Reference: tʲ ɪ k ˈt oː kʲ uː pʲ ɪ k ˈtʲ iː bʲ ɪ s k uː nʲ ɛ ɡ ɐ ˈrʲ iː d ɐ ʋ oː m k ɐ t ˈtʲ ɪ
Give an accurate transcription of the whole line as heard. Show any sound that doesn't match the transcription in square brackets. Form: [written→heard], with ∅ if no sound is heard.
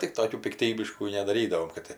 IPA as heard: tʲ ɪ k ˈt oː kʲ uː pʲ ɪ k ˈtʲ iː bʲ ɪ [s→ʃ] k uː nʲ ɛ [ɡ→d] ɐ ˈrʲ iː d ɐ ʋ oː m k ɐ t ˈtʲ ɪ